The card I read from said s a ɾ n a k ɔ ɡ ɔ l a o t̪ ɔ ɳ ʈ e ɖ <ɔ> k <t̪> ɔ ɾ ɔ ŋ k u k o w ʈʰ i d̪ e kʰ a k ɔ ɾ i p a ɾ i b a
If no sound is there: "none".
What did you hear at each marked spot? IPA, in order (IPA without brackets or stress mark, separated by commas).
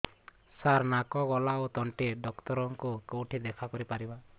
ɔ, t̪